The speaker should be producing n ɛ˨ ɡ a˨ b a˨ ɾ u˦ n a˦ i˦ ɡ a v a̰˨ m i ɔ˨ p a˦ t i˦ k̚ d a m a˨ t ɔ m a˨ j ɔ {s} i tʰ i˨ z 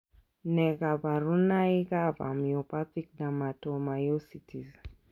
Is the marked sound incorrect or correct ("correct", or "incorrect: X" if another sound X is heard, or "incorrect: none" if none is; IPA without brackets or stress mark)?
correct